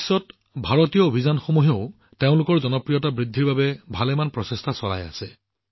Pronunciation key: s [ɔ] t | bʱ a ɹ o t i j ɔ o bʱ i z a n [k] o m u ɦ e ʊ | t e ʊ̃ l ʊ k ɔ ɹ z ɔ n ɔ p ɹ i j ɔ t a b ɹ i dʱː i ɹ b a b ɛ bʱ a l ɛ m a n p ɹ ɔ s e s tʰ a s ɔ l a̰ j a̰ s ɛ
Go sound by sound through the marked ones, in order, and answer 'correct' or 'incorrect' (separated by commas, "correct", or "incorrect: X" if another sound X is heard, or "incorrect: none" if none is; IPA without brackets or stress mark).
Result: correct, incorrect: x